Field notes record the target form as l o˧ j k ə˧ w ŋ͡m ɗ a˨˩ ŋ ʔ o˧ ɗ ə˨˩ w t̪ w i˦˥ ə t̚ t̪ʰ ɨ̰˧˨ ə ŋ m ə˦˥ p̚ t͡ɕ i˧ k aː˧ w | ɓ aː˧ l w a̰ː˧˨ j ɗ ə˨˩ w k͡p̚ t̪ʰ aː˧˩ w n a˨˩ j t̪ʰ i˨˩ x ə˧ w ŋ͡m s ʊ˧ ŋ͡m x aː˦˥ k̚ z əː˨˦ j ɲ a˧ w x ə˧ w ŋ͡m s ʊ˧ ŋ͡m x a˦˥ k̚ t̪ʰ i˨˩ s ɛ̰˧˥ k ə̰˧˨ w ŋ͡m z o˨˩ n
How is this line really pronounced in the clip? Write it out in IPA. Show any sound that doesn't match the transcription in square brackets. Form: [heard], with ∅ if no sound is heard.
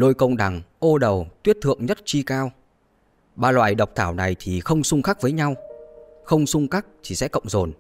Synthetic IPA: l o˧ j k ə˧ w ŋ͡m ɗ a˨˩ ŋ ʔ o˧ ɗ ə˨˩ w t̪ w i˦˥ ə t̚ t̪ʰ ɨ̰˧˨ ə ŋ [ɲ] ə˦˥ [t̚] t͡ɕ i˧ k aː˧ w | ɓ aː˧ l w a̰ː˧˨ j ɗ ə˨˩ w k͡p̚ t̪ʰ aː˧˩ w n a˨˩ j t̪ʰ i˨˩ x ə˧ w ŋ͡m s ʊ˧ ŋ͡m x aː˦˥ k̚ [v] əː˨˦ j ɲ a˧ w x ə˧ w ŋ͡m s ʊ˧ ŋ͡m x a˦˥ k̚ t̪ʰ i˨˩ s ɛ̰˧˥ k ə̰˧˨ w ŋ͡m z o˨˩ n